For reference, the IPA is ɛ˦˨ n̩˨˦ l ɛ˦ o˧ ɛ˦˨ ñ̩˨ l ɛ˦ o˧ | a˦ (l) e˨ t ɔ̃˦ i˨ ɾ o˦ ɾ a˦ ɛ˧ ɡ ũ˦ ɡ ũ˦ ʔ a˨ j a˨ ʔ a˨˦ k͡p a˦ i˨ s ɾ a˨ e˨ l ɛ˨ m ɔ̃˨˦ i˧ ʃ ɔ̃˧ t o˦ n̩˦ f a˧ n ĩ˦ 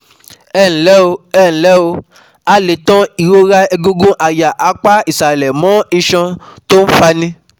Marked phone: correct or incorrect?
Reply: correct